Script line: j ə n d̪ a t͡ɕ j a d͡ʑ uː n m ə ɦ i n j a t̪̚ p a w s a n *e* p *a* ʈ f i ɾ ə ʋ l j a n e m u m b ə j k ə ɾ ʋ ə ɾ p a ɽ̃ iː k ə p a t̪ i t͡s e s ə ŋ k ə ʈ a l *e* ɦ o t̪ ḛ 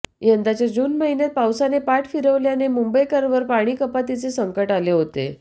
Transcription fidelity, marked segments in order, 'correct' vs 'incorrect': correct, correct, correct

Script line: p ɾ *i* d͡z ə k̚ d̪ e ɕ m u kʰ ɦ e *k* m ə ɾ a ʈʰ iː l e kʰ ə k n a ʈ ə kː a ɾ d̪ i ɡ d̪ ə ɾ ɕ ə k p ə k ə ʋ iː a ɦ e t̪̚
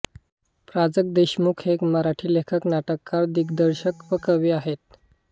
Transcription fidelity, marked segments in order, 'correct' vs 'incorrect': incorrect: a, correct

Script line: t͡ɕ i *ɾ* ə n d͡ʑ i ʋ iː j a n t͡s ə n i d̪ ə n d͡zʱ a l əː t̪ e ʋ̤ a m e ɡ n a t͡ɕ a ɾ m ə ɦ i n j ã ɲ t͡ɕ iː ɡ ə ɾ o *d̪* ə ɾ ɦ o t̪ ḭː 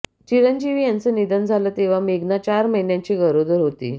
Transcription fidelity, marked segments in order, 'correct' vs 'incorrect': correct, correct

